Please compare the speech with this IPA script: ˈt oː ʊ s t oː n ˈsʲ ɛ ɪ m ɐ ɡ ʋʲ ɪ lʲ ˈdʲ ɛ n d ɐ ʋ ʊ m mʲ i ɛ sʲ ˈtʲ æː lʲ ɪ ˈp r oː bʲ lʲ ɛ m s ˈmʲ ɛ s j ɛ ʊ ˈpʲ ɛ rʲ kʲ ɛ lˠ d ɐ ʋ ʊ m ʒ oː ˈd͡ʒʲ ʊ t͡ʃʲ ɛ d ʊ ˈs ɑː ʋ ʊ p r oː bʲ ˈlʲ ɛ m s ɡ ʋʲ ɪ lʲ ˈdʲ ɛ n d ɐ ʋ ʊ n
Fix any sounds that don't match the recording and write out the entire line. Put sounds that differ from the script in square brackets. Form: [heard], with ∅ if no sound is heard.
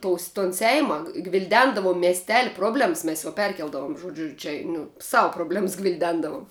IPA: ˈt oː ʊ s t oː n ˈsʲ ɛ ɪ m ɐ ɡ ʋʲ ɪ lʲ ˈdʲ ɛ n d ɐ ʋ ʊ m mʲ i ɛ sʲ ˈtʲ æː lʲ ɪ ˈp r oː bʲ lʲ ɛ m s ˈmʲ ɛ s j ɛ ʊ ˈpʲ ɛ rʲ kʲ ɛ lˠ d ɐ ʋ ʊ m ʒ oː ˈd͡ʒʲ ʊ t͡ʃʲ ɛ [n] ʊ ˈs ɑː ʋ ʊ p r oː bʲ ˈlʲ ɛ m s ɡ ʋʲ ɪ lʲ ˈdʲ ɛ n d ɐ ʋ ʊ [m]